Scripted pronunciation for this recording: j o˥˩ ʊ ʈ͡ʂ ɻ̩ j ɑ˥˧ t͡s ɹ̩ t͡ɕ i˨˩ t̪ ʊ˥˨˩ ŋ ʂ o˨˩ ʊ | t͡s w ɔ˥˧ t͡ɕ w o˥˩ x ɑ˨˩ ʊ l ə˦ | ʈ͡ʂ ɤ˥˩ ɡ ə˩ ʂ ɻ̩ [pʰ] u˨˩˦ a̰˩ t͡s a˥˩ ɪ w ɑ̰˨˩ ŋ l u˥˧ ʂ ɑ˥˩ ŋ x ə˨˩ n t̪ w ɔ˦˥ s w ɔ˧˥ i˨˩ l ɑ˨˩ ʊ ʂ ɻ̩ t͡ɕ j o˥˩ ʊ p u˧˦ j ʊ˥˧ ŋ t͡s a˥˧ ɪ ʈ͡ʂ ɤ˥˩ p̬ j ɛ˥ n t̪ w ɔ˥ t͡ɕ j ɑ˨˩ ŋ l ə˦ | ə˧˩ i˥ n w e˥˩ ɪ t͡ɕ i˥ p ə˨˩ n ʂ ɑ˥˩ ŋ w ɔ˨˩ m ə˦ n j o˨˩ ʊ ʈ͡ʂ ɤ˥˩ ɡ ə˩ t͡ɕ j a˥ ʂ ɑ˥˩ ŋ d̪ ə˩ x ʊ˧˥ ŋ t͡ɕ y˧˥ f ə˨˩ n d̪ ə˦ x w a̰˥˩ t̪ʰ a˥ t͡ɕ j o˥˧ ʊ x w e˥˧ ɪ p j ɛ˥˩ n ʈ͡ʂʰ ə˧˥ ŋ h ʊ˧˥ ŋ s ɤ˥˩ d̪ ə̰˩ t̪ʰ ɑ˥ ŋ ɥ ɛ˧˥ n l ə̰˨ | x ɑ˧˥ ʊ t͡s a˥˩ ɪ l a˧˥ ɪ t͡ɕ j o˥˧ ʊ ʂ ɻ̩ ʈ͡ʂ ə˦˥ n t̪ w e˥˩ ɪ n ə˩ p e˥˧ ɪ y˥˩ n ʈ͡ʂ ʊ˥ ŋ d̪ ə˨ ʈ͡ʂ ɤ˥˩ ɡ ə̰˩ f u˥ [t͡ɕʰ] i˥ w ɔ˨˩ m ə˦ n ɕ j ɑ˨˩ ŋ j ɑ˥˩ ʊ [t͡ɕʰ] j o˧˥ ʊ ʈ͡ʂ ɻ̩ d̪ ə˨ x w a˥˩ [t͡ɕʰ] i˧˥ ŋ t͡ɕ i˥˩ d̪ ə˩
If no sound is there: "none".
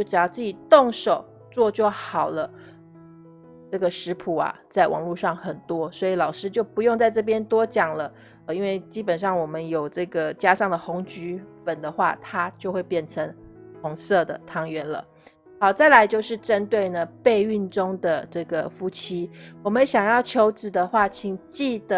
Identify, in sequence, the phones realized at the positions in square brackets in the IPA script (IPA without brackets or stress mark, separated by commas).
pʰ, t͡ɕʰ, t͡ɕʰ, t͡ɕʰ